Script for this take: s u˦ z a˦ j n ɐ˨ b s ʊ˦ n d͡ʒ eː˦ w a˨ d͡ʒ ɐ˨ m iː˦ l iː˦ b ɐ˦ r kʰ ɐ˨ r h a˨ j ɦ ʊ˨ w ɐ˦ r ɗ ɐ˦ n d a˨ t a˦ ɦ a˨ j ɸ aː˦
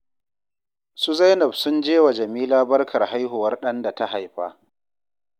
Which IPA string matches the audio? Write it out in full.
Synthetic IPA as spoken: s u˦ z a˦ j n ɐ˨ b s ʊ˦ n d͡ʒ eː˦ w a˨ d͡ʒ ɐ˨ m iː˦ l aː˦ b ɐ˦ r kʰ ɐ˨ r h a˦ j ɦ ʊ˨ w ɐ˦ r ɗ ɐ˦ n d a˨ t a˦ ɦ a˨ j ɸ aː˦